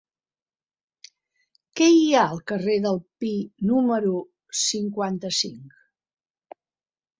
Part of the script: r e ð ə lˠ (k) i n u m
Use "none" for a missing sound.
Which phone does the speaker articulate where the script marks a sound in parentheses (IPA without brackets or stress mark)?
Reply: p